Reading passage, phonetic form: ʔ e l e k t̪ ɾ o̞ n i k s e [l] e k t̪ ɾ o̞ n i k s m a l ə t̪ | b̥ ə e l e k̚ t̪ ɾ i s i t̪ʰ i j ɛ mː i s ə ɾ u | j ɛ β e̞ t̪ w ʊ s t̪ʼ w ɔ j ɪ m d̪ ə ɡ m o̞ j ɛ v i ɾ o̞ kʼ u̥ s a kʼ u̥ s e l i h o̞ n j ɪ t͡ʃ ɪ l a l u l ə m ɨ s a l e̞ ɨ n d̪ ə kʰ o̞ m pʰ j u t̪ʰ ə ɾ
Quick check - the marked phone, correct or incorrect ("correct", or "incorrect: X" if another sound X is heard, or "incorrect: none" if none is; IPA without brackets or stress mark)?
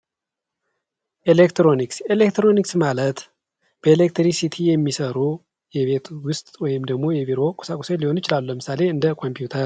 correct